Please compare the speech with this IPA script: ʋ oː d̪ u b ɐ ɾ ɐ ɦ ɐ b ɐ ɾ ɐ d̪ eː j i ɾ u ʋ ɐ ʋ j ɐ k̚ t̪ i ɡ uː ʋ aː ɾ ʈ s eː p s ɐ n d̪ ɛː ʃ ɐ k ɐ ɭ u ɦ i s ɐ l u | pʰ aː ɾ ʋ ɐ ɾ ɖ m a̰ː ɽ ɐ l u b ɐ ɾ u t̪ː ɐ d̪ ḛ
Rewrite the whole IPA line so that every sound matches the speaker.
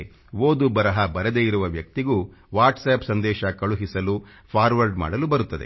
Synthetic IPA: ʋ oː d̪ u b ɐ ɾ ɐ ɦ ɐ b ɐ ɾ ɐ d̪ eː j i ɾ u ʋ ɐ ʋ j ɐ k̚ t̪ i ɡ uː ʋ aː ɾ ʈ s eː p s ɐ n d̪ ɛː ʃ ɐ k ɐ ɭ u ɦ i s ɐ l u | pʰ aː ɾ ʋ ɐ ɾ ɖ m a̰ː ɽ ɐ l u b ɐ ɾ u t̪ː ɐ d̪ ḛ